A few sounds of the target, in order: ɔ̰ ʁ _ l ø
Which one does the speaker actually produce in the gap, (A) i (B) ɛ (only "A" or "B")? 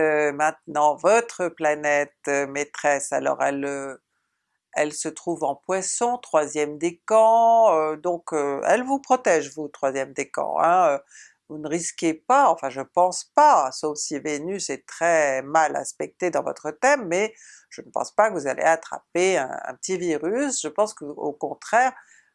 B